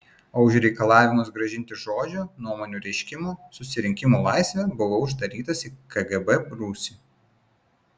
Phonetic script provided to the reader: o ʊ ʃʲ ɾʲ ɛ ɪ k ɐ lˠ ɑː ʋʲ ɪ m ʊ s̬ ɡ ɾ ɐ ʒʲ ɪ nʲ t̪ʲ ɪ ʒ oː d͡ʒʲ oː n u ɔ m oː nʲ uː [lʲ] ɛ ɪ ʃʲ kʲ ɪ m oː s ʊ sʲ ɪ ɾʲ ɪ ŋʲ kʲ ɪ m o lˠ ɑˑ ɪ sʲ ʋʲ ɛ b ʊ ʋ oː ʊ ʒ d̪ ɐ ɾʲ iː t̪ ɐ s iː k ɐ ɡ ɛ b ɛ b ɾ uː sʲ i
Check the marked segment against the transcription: incorrect: ɾʲ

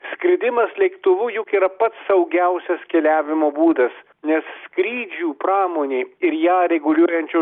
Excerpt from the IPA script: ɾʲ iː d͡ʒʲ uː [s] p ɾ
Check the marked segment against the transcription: incorrect: none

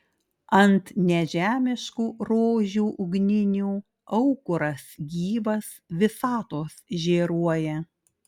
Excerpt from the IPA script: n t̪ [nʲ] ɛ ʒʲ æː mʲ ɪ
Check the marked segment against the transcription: correct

